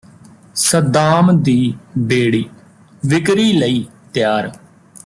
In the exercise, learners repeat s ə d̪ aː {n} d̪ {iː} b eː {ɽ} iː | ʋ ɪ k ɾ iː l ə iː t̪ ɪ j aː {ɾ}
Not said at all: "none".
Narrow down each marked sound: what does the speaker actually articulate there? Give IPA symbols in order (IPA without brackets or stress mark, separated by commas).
m, iː, ɽ, ɾ